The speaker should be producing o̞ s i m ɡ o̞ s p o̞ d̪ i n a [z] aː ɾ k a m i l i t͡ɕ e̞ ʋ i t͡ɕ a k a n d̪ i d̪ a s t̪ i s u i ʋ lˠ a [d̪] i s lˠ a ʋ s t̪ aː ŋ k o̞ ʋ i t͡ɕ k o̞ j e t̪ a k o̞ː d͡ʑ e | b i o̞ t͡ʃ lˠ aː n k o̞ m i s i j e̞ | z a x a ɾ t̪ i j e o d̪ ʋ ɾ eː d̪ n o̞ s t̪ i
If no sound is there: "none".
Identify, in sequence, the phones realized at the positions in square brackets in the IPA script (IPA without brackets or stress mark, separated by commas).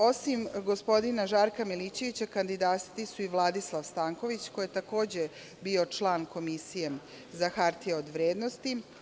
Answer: ʒ, d̪